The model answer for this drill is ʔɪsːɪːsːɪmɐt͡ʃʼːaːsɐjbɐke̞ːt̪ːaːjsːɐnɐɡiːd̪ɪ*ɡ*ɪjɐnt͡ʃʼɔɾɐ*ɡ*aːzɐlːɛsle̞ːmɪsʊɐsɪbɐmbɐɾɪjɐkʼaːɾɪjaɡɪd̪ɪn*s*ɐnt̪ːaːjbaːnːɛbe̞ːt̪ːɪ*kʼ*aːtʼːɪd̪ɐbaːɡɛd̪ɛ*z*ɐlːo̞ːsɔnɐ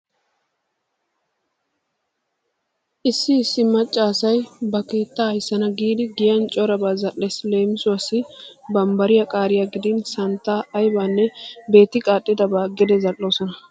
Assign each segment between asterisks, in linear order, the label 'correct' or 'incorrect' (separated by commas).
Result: correct, incorrect, correct, correct, correct